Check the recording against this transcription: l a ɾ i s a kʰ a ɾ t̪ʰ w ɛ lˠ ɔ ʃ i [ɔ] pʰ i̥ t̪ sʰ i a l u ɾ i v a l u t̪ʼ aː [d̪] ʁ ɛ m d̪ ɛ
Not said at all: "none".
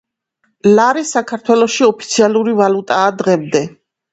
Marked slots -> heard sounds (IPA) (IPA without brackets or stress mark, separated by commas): ɔ, d̪